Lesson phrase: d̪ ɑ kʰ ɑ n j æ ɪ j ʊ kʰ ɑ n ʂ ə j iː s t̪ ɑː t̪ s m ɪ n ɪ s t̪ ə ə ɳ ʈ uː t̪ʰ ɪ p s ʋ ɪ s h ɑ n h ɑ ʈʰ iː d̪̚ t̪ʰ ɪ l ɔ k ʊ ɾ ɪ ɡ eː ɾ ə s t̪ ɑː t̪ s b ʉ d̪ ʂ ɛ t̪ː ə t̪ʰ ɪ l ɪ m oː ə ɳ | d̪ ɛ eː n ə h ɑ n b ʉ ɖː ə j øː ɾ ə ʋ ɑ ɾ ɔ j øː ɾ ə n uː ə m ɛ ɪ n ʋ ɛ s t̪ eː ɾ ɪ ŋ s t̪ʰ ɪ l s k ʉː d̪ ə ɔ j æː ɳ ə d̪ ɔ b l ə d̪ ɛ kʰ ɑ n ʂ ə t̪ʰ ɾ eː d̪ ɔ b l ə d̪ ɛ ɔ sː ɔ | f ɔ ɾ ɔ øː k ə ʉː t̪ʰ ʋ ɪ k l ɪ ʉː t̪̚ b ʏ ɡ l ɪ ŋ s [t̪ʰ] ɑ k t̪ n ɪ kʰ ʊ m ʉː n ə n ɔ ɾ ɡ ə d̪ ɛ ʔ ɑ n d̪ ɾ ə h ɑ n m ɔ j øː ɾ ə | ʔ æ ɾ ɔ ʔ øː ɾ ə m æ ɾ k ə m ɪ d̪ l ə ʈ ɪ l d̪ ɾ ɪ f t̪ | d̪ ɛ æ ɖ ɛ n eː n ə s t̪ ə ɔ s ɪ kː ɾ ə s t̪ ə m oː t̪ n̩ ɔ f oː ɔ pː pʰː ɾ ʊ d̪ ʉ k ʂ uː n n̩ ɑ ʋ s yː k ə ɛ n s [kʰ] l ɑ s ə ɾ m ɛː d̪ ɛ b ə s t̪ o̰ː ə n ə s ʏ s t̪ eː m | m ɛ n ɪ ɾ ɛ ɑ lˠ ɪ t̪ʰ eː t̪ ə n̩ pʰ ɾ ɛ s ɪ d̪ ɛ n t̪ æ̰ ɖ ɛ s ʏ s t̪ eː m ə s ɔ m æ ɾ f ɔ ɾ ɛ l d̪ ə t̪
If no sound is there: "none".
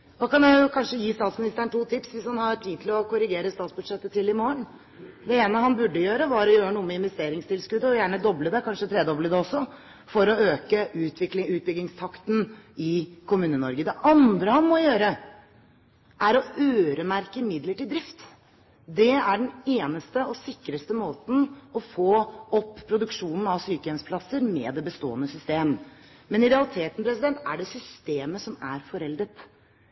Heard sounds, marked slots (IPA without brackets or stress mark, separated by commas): t̪ʰ, pʰ